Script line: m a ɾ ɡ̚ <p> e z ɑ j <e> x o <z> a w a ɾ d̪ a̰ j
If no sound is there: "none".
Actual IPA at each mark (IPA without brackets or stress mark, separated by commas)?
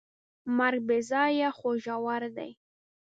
b, a, ʒ